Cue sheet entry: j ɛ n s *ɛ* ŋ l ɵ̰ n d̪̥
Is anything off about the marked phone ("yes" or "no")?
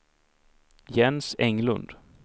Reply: no